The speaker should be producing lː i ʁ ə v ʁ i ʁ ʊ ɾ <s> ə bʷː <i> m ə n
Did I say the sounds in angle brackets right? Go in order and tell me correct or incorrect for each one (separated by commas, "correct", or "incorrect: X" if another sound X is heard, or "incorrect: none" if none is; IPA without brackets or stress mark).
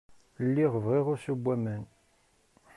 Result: correct, incorrect: æ